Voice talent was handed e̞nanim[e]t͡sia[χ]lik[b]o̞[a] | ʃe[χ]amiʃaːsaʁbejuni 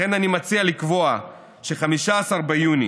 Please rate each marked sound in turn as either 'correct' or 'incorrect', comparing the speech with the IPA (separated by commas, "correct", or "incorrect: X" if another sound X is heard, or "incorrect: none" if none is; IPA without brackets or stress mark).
incorrect: a, incorrect: none, incorrect: v, correct, correct